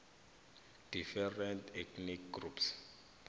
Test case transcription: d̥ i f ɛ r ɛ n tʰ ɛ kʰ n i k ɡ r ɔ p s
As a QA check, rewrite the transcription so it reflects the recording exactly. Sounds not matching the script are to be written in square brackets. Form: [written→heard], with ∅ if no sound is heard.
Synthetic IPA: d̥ i f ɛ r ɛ n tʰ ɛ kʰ n i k ɡ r [ɔ→u] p s